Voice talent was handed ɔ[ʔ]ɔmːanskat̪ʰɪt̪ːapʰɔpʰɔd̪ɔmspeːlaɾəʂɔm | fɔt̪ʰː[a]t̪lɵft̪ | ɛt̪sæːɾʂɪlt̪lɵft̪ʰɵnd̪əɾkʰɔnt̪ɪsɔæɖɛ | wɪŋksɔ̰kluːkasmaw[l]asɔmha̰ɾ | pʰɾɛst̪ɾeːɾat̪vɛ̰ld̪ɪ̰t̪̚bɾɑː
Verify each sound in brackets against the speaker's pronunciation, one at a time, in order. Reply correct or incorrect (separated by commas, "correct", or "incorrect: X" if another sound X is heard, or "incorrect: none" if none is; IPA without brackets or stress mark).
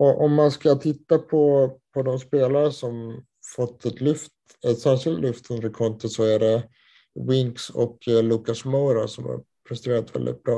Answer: correct, incorrect: ɛ, incorrect: ɾ